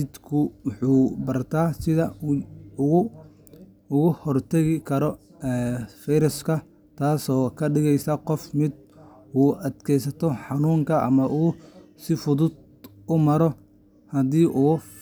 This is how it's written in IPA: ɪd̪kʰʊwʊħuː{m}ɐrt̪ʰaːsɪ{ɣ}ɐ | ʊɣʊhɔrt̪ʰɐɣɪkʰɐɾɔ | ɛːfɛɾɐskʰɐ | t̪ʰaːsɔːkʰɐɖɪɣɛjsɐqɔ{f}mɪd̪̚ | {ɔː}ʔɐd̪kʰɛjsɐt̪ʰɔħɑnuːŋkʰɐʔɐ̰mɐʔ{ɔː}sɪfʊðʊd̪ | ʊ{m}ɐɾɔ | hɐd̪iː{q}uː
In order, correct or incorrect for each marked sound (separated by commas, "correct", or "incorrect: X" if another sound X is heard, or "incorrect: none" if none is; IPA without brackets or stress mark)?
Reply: incorrect: b, incorrect: ð, correct, incorrect: uː, incorrect: uː, correct, incorrect: ʔ